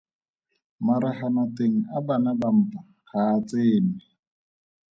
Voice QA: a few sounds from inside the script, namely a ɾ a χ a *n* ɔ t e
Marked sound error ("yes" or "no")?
no